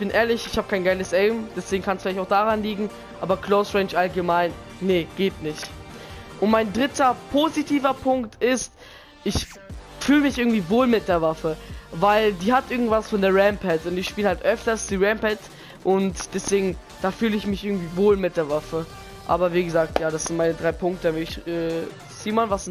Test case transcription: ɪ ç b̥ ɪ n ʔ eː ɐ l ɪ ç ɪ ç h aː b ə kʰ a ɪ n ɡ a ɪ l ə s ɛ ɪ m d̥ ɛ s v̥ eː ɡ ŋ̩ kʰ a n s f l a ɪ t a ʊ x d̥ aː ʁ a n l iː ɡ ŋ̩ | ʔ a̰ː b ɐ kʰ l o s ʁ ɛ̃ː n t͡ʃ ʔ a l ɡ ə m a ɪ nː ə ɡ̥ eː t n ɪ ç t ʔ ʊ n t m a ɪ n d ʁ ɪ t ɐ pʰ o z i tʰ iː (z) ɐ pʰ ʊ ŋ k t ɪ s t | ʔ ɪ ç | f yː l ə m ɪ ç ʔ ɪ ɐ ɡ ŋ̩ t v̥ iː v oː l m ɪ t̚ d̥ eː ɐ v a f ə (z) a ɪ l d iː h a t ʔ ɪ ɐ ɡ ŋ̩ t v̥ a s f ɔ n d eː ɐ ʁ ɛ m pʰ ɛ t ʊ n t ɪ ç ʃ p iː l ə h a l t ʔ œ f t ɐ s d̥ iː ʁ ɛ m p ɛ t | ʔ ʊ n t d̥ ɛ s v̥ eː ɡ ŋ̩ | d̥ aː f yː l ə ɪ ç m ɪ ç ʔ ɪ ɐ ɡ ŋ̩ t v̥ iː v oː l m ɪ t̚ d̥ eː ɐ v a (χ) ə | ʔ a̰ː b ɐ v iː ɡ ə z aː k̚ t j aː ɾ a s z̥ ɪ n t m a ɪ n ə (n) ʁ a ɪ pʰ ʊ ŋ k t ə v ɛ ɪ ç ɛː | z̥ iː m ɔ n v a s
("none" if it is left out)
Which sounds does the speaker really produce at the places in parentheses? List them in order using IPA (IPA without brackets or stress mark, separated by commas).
v, v, f, d